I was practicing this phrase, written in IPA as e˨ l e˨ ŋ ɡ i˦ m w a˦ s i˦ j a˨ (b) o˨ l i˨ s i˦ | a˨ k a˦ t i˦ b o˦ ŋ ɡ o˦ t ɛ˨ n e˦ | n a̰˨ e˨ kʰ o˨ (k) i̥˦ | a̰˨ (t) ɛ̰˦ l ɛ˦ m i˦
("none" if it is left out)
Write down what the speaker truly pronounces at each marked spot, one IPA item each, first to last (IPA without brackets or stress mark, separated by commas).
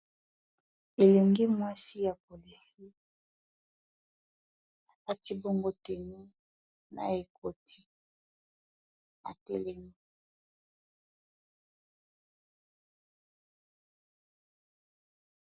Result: p, t, t